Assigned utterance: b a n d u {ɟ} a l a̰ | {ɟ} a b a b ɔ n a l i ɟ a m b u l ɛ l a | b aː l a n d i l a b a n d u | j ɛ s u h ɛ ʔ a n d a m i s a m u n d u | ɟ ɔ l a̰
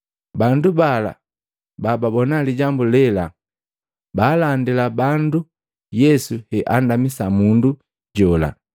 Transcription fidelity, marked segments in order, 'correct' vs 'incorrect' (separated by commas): incorrect, incorrect